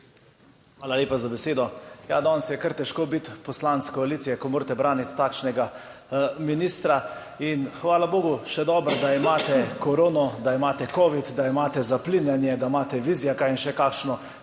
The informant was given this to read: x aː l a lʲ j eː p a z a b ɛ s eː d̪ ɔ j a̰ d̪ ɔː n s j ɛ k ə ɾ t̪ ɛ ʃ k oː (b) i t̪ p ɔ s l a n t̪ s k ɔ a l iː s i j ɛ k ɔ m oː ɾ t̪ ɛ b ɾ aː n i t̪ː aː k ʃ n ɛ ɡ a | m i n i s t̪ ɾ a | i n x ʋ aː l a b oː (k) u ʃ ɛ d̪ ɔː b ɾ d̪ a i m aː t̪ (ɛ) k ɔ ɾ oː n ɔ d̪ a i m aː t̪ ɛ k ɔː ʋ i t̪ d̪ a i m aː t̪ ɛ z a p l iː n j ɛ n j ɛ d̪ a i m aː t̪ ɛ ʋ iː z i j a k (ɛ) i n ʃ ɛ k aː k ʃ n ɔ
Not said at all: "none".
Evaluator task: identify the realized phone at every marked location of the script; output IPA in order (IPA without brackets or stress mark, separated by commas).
b, ɡ, ɛ, a